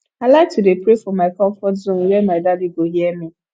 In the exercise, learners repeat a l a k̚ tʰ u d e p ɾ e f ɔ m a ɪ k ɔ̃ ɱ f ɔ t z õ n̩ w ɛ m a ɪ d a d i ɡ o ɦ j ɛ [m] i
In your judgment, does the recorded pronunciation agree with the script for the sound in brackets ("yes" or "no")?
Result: yes